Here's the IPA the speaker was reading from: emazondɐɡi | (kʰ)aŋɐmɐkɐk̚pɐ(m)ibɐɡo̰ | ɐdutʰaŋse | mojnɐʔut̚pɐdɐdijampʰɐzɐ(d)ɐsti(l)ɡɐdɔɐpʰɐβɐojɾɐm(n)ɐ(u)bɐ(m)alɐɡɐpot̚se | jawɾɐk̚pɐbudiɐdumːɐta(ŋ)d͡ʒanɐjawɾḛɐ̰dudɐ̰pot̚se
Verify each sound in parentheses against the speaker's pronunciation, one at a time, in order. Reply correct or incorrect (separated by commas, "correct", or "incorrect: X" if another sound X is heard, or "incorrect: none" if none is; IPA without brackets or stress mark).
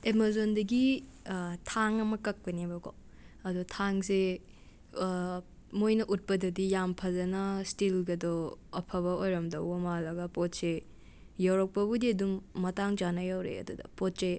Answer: incorrect: tʰ, incorrect: n, incorrect: n, correct, incorrect: d, incorrect: w, correct, correct